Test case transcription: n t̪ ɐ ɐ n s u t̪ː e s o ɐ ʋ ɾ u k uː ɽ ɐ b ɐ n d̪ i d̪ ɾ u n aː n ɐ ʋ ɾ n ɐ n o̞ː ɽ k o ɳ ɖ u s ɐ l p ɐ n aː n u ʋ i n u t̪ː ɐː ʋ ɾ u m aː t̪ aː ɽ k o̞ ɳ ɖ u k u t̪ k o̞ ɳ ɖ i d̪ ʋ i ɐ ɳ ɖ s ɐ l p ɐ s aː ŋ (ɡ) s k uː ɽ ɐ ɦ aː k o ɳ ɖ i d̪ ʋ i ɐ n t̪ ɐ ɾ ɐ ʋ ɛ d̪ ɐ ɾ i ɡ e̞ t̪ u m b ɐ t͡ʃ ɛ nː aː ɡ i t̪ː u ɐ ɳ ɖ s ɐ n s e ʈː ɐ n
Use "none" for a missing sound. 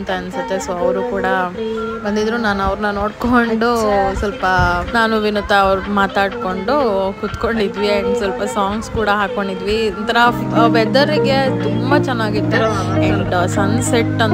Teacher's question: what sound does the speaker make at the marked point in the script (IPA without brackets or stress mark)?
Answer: ɡ